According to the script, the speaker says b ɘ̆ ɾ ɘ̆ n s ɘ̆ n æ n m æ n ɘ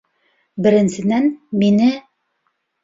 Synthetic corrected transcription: b ɘ̆ ɾ ɘ̆ n s ɘ̆ n æ n m i n ɘ